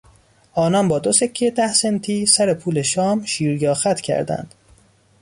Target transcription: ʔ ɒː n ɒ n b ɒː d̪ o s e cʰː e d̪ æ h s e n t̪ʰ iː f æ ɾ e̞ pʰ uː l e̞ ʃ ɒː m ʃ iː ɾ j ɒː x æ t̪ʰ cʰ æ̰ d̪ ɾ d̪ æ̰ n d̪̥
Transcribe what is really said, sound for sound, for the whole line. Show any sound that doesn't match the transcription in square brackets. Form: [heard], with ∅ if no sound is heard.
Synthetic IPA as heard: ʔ ɒː n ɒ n b ɒː d̪ o s e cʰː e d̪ æ h s e n t̪ʰ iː [s] æ ɾ e̞ pʰ uː l e̞ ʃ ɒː m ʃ iː ɾ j ɒː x æ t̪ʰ cʰ æ̰ [∅] ɾ d̪ æ̰ n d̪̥